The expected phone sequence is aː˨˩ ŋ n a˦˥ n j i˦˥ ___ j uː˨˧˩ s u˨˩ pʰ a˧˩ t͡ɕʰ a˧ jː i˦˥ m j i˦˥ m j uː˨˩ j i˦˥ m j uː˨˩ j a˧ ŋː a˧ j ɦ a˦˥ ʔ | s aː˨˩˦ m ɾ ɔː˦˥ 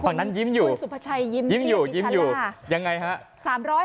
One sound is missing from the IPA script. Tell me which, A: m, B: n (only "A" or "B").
A